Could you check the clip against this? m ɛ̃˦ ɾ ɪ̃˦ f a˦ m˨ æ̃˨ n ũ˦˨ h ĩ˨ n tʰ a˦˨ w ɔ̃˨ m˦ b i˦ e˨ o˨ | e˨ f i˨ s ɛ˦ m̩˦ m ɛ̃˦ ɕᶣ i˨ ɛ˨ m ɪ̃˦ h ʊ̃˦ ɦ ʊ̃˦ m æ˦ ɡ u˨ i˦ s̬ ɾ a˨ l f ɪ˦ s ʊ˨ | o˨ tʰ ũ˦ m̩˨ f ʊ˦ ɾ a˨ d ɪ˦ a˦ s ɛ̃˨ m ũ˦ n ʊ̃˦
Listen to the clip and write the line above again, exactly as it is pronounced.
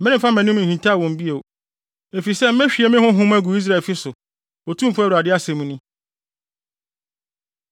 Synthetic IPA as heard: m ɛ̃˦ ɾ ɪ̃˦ f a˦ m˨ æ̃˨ n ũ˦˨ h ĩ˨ n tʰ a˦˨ w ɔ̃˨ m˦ b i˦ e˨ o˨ | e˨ f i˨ s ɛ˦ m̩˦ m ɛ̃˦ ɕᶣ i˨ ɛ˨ m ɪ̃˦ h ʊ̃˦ ɦ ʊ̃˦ m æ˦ ɡ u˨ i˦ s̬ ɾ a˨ l f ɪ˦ s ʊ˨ | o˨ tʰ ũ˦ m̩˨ f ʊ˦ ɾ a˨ d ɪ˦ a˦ s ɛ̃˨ m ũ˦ n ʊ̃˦